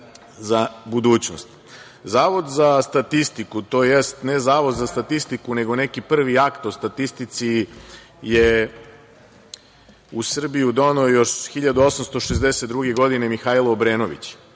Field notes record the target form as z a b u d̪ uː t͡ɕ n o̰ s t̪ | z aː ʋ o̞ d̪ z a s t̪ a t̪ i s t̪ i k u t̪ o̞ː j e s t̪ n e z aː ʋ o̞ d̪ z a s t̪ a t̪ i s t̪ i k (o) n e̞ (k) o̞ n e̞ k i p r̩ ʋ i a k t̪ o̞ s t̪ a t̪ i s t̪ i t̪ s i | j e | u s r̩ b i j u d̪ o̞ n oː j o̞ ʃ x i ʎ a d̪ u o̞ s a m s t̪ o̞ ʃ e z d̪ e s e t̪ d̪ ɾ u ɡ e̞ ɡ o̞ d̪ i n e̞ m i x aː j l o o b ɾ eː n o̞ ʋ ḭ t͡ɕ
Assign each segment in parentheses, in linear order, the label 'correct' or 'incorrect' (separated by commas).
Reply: incorrect, incorrect